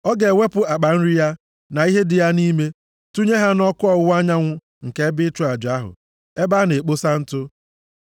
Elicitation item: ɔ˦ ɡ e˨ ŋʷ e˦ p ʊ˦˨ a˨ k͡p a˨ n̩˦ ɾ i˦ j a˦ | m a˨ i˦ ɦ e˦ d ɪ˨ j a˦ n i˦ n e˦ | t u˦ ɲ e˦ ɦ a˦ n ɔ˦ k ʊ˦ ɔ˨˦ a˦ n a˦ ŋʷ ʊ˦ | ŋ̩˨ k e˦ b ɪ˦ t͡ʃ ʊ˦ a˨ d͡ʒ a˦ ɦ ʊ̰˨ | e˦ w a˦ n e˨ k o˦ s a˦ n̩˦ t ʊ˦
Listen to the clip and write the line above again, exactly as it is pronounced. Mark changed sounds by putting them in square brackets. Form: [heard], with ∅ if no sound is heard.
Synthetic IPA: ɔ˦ ɡ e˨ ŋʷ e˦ p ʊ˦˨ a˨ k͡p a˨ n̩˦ ɾ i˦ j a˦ | [n] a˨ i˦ ɦ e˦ d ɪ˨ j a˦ n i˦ [m] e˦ | t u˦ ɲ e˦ ɦ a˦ n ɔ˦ k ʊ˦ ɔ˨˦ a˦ [ɲ] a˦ ŋʷ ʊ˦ | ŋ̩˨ k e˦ b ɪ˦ t͡ʃ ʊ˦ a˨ d͡ʒ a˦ ɦ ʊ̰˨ | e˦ [b] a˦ n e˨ [k͡p] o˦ s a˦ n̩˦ t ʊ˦